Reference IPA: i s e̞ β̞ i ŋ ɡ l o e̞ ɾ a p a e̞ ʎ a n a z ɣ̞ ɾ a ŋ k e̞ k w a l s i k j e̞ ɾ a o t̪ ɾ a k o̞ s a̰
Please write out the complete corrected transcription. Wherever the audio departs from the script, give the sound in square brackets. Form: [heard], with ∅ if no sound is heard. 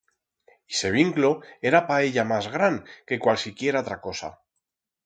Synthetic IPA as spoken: i s e̞ β̞ i ŋ [k] l o e̞ ɾ a p a e̞ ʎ a [m] a z ɣ̞ ɾ a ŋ k e̞ k w a l s i k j e̞ ɾ a o t̪ ɾ a k o̞ s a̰